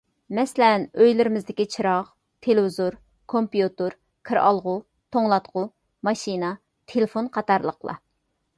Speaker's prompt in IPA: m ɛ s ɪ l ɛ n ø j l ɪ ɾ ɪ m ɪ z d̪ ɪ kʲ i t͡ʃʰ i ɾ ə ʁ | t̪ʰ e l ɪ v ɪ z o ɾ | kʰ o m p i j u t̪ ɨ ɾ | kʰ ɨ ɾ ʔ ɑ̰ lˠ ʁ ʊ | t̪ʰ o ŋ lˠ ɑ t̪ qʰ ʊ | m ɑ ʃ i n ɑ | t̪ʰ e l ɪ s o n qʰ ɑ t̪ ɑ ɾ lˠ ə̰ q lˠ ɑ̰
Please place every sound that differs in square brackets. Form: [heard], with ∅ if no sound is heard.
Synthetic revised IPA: m ɛ s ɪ l ɛ n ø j l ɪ ɾ ɪ m ɪ z d̪ ɪ kʲ i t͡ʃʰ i ɾ [ɑ] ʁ | t̪ʰ e l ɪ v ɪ z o ɾ | kʰ o m p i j u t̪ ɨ ɾ | kʰ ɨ ɾ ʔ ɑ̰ lˠ ʁ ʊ | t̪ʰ o ŋ lˠ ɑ t̪ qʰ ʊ | m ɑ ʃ i n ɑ | t̪ʰ e l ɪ [f] o n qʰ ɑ t̪ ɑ ɾ lˠ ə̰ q lˠ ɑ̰